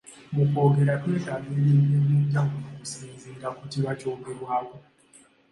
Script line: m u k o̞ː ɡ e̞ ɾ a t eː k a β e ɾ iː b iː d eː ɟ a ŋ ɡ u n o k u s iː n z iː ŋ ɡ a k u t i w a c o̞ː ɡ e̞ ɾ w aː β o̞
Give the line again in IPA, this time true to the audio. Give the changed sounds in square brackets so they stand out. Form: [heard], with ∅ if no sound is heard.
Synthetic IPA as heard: m u k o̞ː ɡ e̞ ɾ a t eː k a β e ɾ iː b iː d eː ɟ a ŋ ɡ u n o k u s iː n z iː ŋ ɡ a k u t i [β] a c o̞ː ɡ e̞ ɾ w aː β o̞